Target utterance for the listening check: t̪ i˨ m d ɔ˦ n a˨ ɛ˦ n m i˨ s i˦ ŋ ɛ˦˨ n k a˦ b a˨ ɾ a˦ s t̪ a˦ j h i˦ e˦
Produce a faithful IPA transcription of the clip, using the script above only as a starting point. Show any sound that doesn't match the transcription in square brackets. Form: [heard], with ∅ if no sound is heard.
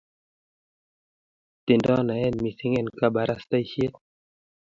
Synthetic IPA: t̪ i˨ [n] d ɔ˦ n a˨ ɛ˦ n m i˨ s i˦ ŋ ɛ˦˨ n k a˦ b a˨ ɾ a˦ s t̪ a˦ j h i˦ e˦